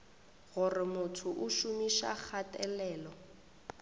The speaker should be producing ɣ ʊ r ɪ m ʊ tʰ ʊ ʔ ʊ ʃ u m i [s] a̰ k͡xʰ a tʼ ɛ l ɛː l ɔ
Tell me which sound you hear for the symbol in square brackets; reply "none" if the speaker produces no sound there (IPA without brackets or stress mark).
ʃ